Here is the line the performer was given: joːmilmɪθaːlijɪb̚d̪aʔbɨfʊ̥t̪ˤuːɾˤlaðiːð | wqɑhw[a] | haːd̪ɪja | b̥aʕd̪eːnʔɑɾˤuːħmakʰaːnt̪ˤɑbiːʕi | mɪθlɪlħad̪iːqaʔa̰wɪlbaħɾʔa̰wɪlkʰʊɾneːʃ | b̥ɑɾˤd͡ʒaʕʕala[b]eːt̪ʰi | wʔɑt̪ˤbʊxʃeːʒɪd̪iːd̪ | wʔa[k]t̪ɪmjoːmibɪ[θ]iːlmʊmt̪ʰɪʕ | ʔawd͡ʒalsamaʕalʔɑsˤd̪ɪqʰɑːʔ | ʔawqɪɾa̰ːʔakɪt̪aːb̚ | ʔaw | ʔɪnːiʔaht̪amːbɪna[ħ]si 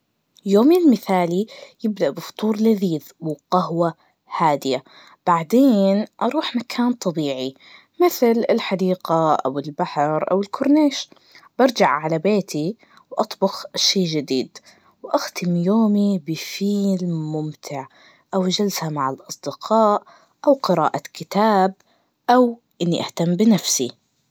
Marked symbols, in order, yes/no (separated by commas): yes, yes, no, no, no